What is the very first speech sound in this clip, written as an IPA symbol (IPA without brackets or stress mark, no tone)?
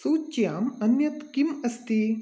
s